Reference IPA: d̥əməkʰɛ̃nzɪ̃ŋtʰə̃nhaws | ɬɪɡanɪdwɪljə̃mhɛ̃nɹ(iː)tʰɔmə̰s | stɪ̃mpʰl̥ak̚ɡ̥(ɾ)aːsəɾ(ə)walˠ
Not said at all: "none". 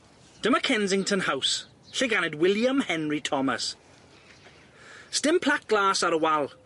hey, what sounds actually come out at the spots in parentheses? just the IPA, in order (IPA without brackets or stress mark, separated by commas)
i, l, ə